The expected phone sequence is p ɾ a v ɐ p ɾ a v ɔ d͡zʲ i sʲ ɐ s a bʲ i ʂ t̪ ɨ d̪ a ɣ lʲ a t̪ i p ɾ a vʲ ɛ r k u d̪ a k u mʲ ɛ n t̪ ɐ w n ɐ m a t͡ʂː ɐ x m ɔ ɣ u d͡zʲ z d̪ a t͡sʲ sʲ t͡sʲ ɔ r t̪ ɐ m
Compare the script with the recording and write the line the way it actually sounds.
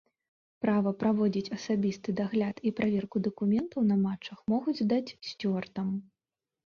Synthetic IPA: p ɾ a v ɐ p ɾ a v ɔ d͡zʲ i t͡sʲ ɐ s a bʲ i s t̪ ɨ d̪ a ɣ lʲ a t̪ i p ɾ a vʲ ɛ r k u d̪ ɐ k u mʲ ɛ n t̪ ɐ w n ɐ m a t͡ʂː ɐ x m ɔ ɣ u d͡zʲ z d̪ a t͡sʲ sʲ t͡sʲ ɔ r t̪ ɐ m